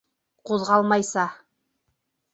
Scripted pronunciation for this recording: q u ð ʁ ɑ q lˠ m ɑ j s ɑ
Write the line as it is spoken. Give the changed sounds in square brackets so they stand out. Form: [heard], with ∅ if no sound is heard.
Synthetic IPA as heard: q u ð ʁ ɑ [∅] lˠ m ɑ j s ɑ